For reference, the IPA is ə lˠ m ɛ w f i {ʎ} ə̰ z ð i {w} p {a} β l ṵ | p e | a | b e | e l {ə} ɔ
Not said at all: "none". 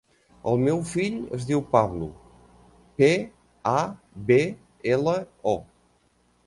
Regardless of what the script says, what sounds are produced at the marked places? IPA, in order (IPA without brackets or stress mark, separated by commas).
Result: ʎ, w, a, ə